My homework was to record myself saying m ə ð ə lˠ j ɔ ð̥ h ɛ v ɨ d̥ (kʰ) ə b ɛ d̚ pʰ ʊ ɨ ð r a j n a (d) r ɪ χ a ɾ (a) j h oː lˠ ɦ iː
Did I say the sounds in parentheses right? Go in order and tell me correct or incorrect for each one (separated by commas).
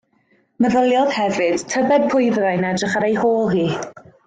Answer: incorrect, correct, incorrect